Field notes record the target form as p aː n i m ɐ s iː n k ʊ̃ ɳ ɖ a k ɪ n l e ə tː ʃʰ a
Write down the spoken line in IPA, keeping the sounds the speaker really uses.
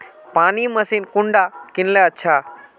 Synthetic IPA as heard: p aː n i m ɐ s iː n k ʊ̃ ɳ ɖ a k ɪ n l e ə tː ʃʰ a